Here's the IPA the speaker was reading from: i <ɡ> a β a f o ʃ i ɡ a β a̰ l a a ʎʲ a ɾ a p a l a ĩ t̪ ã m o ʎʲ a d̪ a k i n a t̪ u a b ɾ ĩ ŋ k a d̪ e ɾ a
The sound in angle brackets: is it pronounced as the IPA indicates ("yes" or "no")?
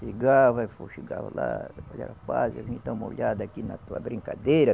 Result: yes